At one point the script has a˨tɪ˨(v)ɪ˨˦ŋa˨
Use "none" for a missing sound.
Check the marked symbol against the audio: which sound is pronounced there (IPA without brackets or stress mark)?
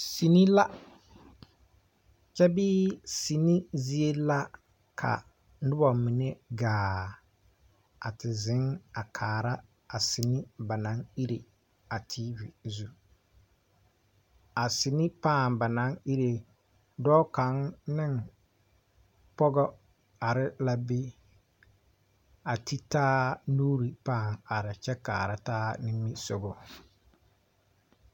z